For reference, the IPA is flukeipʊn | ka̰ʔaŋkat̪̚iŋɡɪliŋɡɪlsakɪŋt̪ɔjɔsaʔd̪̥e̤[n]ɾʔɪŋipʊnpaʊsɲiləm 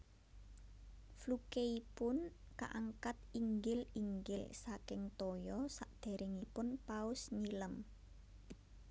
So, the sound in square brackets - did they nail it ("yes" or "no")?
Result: no